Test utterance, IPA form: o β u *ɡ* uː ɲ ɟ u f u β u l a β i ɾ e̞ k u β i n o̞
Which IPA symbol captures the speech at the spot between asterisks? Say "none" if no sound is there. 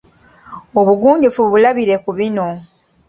ɡ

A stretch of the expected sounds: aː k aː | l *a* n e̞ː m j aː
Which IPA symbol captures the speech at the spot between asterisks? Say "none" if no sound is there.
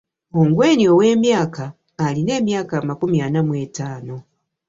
i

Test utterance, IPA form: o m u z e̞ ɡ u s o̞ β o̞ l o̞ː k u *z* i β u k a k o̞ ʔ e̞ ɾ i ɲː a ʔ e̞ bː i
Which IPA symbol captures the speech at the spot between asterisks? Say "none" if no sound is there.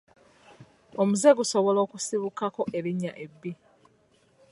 s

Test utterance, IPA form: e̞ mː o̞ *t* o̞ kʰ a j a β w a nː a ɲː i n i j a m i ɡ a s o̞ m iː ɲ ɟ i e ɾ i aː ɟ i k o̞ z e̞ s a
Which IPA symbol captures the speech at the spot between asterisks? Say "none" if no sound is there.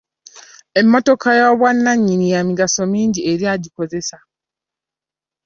t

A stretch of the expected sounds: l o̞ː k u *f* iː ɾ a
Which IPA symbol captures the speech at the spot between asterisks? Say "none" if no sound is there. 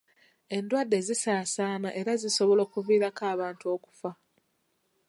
v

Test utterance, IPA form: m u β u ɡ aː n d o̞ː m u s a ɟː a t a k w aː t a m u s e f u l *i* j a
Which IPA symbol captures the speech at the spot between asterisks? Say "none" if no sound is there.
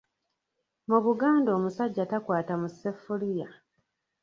i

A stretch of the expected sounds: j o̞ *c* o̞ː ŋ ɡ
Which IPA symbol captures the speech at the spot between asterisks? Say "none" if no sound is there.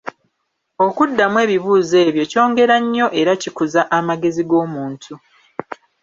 c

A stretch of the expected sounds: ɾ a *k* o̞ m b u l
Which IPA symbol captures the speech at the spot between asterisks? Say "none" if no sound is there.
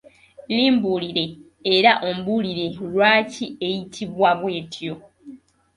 ʔ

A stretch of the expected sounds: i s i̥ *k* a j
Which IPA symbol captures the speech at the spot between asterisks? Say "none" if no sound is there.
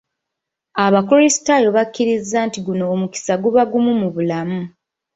t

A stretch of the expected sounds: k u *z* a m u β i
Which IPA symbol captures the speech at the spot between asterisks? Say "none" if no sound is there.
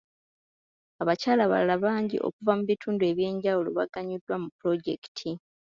v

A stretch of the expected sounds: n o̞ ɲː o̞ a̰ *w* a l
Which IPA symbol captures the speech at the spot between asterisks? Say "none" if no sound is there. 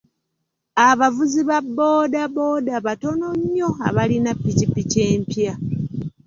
β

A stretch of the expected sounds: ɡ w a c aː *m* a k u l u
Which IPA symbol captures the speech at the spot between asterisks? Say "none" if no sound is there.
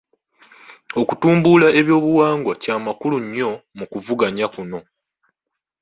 m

